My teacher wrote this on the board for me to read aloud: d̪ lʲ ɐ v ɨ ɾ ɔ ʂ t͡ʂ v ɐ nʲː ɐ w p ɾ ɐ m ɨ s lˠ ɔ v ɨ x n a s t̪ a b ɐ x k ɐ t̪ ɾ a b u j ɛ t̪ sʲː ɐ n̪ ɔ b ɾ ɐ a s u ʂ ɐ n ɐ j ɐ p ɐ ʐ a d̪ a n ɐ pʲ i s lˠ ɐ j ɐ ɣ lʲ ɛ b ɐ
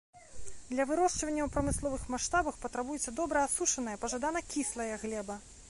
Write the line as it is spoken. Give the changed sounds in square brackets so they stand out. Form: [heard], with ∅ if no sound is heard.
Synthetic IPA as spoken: d̪ lʲ ɐ v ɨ ɾ ɔ ʂ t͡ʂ v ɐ nʲː ɐ w p ɾ ɐ m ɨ s lˠ ɔ v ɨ x [m] a [ʂ] t̪ a b ɐ x [p] ɐ t̪ ɾ a b u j ɛ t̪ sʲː ɐ [d̪] ɔ b ɾ ɐ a s u ʂ ɐ n ɐ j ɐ p ɐ ʐ a d̪ a n ɐ [kʲ] i s lˠ ɐ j ɐ ɣ lʲ ɛ b ɐ